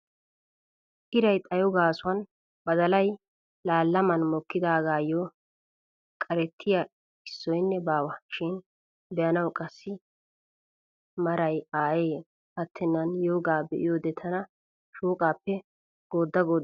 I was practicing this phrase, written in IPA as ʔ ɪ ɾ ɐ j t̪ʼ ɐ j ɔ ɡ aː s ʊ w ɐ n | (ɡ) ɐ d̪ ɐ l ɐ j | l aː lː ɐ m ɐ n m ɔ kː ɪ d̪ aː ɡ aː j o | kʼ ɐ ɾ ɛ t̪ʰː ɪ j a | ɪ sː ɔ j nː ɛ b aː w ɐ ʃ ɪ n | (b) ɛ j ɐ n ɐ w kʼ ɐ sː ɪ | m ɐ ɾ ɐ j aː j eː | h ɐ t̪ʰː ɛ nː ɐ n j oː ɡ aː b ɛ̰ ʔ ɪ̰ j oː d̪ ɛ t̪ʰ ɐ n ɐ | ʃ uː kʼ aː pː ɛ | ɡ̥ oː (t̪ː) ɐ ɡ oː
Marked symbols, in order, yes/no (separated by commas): no, yes, no